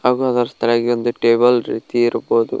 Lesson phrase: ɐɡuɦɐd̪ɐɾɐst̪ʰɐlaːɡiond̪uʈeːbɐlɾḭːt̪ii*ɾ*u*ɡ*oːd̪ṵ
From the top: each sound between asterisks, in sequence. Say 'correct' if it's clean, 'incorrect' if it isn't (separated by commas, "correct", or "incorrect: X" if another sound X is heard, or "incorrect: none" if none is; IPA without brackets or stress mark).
correct, incorrect: b